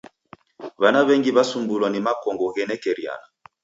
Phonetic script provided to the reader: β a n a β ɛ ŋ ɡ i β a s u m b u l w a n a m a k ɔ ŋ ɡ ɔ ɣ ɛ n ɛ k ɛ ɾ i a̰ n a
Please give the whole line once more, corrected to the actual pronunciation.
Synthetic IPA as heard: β a n a β ɛ ŋ ɡ i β a s u m b u l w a n i m a k ɔ ŋ ɡ ɔ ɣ ɛ n ɛ k ɛ ɾ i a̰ n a